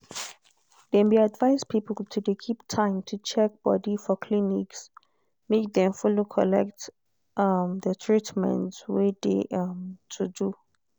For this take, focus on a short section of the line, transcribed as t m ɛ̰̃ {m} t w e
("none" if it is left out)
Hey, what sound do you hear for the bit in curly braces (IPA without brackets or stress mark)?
n